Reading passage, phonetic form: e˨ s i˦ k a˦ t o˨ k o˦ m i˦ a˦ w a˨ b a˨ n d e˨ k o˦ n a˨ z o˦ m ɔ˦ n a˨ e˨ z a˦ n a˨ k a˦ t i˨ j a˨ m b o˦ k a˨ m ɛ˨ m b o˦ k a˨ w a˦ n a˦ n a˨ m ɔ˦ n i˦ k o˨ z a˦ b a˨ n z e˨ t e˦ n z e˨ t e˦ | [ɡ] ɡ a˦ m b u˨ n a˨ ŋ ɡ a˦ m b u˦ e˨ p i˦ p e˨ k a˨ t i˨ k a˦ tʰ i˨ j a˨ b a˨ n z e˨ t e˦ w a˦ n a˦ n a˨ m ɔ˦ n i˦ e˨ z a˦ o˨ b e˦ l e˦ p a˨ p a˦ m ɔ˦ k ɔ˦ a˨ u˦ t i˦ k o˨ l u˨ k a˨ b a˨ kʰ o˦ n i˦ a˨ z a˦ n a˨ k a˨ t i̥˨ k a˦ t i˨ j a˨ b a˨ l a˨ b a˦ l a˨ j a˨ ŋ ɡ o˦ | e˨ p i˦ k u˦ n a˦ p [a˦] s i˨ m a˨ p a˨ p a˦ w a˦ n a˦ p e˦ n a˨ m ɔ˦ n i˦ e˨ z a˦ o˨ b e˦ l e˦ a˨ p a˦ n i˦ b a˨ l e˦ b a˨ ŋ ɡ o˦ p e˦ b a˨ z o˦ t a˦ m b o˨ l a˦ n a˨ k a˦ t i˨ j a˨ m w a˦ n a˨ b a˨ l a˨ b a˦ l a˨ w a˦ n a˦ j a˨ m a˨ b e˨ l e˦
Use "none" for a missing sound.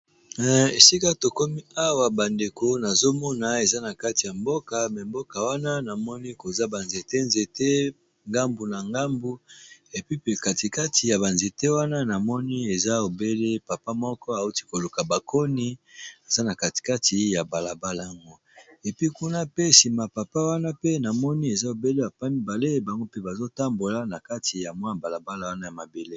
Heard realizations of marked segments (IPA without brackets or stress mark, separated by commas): ŋ, e˦